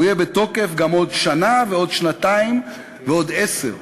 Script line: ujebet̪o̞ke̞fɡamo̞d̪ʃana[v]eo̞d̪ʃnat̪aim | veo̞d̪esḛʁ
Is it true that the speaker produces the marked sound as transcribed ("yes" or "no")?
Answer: yes